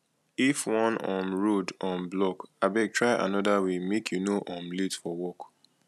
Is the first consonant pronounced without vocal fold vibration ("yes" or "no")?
yes